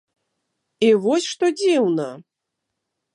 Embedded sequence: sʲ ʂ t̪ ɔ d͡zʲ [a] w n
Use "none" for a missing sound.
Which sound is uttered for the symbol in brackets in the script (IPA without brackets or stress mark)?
i